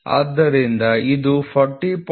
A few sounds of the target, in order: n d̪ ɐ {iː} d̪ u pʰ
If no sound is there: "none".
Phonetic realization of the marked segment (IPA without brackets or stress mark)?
i